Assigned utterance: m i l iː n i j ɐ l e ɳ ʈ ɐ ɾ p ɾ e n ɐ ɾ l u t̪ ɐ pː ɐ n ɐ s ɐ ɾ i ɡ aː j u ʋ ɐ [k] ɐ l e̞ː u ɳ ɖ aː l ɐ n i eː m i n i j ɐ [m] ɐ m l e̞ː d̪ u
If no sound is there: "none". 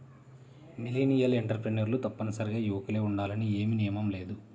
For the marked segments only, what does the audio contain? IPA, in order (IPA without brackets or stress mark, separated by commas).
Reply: k, m